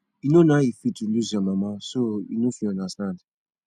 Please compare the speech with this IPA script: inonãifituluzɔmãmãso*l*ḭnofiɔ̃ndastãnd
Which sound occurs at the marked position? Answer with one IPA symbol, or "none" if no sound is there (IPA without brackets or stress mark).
none